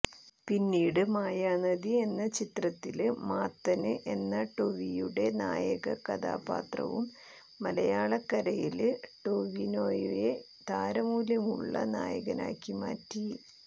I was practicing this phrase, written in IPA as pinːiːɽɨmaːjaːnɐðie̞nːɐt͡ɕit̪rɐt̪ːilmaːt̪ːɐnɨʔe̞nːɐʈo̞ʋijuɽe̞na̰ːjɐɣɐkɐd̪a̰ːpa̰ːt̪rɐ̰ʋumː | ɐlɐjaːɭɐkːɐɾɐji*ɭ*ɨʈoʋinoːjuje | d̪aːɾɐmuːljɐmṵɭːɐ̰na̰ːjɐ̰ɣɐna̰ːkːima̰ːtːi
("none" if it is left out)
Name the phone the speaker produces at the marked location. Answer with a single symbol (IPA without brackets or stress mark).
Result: l